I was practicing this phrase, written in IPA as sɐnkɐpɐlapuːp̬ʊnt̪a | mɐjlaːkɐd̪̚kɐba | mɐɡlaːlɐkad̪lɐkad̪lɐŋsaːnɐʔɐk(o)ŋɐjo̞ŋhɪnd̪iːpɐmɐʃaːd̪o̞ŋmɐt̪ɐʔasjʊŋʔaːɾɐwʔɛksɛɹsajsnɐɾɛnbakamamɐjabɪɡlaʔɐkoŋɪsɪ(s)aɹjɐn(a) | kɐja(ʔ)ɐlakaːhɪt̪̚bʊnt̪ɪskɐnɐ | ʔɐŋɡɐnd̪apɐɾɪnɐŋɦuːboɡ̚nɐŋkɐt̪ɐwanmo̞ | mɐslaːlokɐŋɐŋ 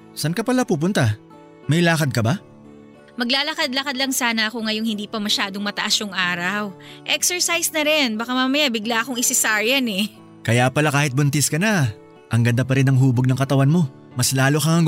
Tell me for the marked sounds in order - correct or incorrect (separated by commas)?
correct, correct, incorrect, incorrect